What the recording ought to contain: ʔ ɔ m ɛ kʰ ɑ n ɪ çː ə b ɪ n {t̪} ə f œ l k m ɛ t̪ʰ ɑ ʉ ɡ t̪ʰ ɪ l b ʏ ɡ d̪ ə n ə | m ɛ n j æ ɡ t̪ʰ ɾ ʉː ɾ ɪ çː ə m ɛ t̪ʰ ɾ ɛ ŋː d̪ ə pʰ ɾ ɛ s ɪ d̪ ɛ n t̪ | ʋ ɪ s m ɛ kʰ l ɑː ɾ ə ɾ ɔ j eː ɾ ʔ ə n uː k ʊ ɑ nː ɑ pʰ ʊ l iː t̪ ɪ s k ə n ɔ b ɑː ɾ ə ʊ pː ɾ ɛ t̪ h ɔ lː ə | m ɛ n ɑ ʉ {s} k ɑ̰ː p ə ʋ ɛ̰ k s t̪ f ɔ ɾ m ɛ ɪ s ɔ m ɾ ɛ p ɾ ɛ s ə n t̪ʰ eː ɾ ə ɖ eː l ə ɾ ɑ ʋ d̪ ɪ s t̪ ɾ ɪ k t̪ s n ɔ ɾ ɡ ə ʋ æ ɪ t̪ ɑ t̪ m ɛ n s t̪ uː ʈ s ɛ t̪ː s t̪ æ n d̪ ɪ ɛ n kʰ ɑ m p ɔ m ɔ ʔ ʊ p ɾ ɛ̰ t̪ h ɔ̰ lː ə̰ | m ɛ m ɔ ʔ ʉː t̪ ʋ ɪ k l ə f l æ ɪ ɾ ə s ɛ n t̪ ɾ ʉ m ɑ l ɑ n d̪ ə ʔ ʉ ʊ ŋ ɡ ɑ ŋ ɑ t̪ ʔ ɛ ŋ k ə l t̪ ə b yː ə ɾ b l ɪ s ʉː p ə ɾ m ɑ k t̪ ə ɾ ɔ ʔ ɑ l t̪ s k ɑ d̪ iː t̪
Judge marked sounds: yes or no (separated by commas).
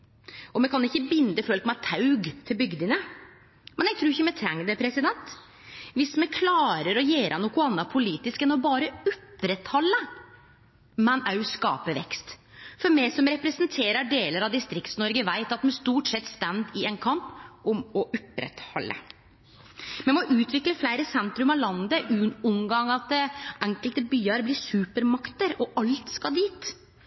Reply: no, yes